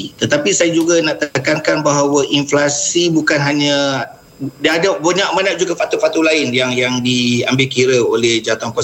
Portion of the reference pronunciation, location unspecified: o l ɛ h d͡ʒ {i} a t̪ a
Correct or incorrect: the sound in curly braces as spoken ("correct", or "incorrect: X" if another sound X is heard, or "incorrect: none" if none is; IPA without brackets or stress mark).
incorrect: a